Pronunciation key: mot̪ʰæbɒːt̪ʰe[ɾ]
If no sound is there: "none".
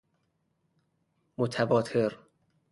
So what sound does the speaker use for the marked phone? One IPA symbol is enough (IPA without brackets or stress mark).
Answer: ɾ